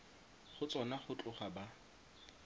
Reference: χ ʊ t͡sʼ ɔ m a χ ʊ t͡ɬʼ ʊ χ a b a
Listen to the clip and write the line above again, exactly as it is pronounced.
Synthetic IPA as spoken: χ ʊ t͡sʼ ɔ n a χ ʊ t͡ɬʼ ʊ χ a b a